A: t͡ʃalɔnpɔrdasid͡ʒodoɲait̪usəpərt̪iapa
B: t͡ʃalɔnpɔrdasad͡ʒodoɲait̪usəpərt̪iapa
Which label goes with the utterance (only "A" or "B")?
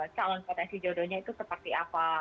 A